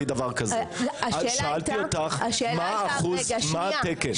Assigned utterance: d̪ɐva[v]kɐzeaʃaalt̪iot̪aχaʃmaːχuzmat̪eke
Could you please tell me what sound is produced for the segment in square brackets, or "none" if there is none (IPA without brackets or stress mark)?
ʁ